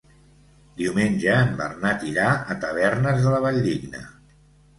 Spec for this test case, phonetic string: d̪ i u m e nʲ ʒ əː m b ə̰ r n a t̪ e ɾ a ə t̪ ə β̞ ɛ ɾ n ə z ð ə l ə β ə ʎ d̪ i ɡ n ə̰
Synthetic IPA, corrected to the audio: d̪ i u m e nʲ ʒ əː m b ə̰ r n a t̪ i ɾ a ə t̪ ə β̞ ɛ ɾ n ə z ð ə l ə β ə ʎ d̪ i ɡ n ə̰

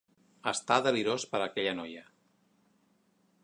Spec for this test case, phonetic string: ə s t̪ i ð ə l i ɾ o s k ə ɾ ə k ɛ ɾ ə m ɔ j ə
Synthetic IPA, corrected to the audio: ə s t̪ a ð ə l i ɾ o s p ə ɾ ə k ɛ ʎ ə n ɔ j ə

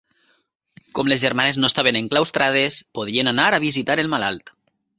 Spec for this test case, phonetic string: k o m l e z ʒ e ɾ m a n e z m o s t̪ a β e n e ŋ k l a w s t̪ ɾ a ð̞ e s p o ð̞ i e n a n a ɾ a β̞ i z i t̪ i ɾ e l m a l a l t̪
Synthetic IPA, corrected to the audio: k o m l e z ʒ e ɾ m a n e z n o s t̪ a β e n e ŋ k l a w s t̪ ɾ a ð̞ e s p o ð̞ i e n a n a ɾ a β̞ i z i t̪ a ɾ e l m a l a l t̪

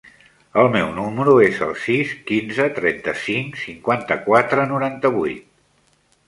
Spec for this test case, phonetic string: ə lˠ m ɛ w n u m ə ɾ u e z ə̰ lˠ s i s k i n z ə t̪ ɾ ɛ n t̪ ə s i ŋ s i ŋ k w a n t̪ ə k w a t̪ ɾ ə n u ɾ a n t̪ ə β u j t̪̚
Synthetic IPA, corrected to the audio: ə lˠ m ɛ w n u m ə ɾ u e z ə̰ lˠ s i s k i n z ə t̪ ɾ ɛ n t̪ ə s i ŋ s i ŋ k w a n t̪ ə k w a t̪ ɾ ə n u ɾ a n t̪ ə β u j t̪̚

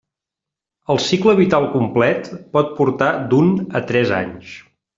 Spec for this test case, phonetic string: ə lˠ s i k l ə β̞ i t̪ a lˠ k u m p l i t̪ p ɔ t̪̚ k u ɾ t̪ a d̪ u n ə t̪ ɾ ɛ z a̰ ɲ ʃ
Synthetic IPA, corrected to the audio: ə lˠ s i k l ə β̞ i t̪ a lˠ k u m p l ɛ t̪ p ɔ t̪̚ p u ɾ t̪ a d̪ u n ə t̪ ɾ ɛ z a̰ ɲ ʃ

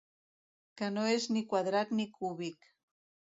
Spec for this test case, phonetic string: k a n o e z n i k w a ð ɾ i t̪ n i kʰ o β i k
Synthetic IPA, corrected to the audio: k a n o e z n i k w a ð ɾ a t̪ n i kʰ u β i k

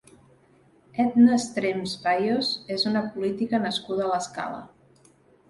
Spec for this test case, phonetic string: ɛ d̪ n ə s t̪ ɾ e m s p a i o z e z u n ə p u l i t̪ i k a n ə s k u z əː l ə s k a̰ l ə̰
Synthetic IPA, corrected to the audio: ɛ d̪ n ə s t̪ ɾ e m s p a j o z e z u n ə p u l i t̪ i k ə n ə s k u ð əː l ə s k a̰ l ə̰

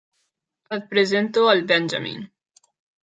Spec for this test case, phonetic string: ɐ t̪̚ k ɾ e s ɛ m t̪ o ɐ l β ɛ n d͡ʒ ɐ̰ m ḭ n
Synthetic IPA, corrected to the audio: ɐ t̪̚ p ɾ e z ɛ n t̪ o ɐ l b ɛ n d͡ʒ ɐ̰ m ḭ n

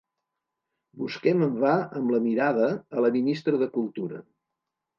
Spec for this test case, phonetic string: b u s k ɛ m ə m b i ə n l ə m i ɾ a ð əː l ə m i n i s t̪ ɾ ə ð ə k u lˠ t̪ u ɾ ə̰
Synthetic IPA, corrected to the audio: b u s k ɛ m ə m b a ə m l ə m i ɾ a ð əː l ə m i n i s t̪ ɾ ə ð ə k u lˠ t̪ u ɾ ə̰

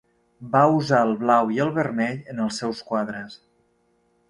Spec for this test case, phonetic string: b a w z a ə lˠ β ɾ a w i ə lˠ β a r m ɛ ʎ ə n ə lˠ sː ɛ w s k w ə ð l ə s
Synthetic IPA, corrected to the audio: b a u z a ə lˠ β l a w i ə lˠ β ə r m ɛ ʎ ə n ə lˠ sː ɛ w s k w a ð ɾ ə s

